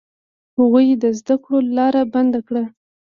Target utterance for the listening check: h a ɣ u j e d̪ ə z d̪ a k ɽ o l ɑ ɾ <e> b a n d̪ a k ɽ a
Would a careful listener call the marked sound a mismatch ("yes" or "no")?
yes